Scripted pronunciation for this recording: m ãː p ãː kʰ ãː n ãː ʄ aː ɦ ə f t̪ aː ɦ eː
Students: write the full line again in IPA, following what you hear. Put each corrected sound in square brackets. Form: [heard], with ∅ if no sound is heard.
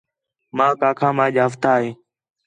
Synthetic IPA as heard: m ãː [k] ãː kʰ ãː [m] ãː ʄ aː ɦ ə f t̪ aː ɦ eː

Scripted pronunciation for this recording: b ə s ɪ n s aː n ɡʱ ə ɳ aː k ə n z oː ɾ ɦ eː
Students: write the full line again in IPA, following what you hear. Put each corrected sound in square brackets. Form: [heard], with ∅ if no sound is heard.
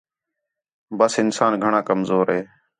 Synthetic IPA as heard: b ə s ɪ n s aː n ɡʱ ə ɳ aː k ə [m] z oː ɾ ɦ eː

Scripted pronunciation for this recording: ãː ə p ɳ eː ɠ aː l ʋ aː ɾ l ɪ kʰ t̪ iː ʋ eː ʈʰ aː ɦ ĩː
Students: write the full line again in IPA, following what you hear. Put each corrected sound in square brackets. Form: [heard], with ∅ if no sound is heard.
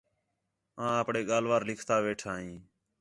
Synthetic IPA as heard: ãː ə p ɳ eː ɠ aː l ʋ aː ɾ l ɪ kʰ t̪ [aː] ʋ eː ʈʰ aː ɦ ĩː

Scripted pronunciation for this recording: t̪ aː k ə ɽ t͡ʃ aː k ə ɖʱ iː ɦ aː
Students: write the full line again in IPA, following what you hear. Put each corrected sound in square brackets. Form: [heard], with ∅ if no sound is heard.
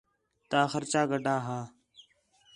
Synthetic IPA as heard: t̪ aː [x] ə [ɾ] t͡ʃ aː [ɡ] ə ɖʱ [aː] ɦ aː

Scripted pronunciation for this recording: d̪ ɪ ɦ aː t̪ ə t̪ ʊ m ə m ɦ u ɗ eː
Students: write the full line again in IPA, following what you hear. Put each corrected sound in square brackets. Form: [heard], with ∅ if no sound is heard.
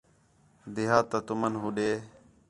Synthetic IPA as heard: d̪ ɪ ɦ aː t̪ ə t̪ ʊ m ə [n] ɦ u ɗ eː

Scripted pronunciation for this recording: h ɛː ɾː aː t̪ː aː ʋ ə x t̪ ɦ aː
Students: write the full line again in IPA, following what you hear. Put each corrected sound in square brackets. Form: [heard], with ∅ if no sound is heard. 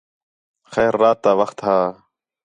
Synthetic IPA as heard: [x] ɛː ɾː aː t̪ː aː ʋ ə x t̪ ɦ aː

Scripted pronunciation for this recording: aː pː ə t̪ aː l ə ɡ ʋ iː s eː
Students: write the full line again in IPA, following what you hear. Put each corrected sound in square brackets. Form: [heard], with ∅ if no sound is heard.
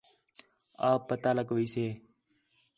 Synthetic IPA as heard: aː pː ə t̪ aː l ə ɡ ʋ iː s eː

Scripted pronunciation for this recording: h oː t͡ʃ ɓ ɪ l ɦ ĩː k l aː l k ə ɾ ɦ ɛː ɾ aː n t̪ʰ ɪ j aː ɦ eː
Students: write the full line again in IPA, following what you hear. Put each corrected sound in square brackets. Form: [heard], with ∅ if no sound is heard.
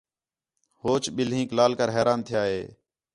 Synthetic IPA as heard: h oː t͡ʃ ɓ ɪ l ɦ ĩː k l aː l k ə ɾ ɦ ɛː ɾ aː n t̪ʰ ɪ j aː ɦ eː

